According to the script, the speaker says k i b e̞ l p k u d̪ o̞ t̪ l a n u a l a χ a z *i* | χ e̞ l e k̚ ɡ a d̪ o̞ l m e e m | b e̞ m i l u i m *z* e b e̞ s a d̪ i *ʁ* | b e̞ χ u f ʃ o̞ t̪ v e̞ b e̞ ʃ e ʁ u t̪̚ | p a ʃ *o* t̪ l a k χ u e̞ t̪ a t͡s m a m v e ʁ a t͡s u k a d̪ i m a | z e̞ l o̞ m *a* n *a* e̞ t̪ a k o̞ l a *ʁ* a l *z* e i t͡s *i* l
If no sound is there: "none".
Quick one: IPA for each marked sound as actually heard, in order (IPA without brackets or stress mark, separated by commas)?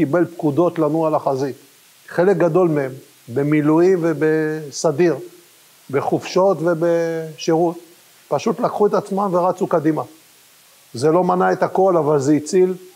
i, v, ʁ, u, a, a, v, z, i